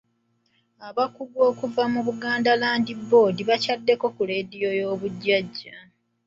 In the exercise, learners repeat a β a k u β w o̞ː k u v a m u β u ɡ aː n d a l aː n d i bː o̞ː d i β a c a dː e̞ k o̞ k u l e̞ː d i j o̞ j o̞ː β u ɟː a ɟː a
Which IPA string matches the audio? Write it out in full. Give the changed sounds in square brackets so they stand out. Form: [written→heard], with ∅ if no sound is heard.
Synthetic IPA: a β a k u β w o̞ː k u v a m u β u ɡ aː n d a l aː n d i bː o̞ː d i β a c a dː e̞ k o̞ k u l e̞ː d i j o̞ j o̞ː β u ɟː a ɟː a